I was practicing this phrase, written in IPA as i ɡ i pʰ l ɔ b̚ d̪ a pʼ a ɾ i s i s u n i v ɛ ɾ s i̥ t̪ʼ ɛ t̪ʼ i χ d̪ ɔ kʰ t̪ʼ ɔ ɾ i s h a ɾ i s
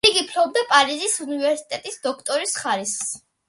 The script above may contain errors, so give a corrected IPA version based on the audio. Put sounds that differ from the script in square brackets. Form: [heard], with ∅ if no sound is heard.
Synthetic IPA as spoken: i ɡ i pʰ l ɔ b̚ d̪ a pʼ a ɾ i [z] i s u n i v ɛ ɾ s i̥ t̪ʼ ɛ t̪ʼ i [s] d̪ ɔ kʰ t̪ʼ ɔ ɾ i s [χ] a ɾ i s